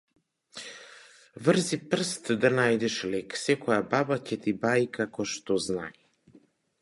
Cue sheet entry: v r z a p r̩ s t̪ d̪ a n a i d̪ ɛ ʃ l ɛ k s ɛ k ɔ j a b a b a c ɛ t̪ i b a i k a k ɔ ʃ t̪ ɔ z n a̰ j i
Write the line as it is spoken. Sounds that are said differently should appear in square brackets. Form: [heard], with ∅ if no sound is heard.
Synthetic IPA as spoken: v r z [i] p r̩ s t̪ d̪ a n a [j] d̪ ɛ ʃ l ɛ k s ɛ k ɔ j a b a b a c ɛ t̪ i b a i k a k ɔ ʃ t̪ ɔ z n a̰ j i